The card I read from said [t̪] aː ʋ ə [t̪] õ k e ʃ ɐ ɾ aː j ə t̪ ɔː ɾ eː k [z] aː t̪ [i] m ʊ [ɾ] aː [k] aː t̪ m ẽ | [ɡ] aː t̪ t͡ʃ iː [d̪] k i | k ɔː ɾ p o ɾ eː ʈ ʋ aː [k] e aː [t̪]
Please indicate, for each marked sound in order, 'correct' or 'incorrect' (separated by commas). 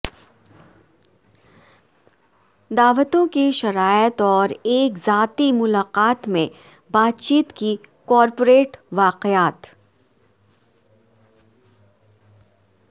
incorrect, correct, correct, correct, incorrect, incorrect, incorrect, incorrect, incorrect, correct